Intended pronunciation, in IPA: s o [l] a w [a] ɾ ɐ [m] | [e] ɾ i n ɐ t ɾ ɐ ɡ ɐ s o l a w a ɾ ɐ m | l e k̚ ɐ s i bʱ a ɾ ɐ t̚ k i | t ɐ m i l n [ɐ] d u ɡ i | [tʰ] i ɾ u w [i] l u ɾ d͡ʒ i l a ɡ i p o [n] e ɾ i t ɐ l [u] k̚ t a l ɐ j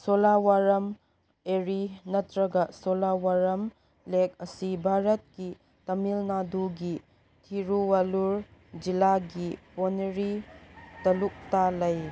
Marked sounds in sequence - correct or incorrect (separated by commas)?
correct, correct, correct, correct, incorrect, correct, incorrect, correct, correct